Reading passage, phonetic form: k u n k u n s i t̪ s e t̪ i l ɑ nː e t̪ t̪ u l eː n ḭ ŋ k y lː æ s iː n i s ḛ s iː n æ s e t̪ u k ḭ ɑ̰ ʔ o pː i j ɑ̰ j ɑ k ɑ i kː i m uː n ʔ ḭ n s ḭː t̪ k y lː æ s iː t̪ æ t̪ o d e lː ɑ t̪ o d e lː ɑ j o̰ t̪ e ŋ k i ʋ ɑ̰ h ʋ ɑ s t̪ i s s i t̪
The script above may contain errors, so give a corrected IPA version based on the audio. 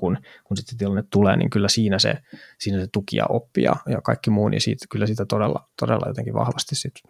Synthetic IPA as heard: k u n k u n s i t̪ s e t̪ i l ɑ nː e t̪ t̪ u l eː n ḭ ŋ k y lː æ s iː n æ s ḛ s iː n æ s e t̪ u k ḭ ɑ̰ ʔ o pː i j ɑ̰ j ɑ k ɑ i kː i m uː n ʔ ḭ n s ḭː t̪ k y lː æ s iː t̪ æ t̪ o d e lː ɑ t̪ o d e lː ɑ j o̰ t̪ e ŋ k i ʋ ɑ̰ h ʋ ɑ s t̪ i s s i t̪